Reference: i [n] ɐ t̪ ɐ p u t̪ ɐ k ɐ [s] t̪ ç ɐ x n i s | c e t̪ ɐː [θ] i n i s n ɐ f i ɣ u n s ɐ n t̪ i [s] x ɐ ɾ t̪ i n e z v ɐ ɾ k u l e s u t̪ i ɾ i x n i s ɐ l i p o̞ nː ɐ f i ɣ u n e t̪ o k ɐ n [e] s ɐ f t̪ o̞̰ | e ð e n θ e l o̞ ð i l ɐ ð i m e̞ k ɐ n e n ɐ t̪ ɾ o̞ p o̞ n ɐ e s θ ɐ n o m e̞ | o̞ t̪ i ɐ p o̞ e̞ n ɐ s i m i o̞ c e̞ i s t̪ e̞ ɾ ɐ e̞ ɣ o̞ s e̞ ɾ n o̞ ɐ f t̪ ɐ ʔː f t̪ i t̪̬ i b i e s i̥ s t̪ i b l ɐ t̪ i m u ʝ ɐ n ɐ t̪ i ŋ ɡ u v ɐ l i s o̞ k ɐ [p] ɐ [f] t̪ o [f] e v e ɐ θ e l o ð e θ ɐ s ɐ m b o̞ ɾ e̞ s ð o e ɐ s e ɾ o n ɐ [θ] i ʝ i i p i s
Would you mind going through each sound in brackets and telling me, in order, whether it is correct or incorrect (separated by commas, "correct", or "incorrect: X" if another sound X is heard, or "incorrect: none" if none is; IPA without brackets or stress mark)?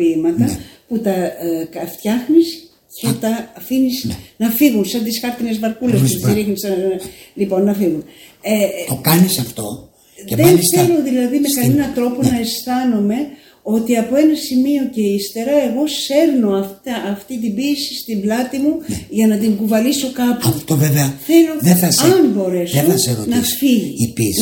incorrect: m, incorrect: f, incorrect: f, correct, incorrect: i, correct, correct, incorrect: v, incorrect: f